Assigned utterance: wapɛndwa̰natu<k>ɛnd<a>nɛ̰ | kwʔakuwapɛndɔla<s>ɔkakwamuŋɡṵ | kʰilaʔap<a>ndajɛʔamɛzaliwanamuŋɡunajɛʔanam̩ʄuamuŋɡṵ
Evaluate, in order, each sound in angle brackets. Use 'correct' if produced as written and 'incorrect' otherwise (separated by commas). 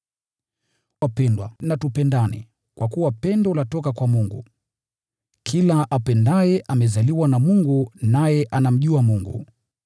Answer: incorrect, correct, incorrect, incorrect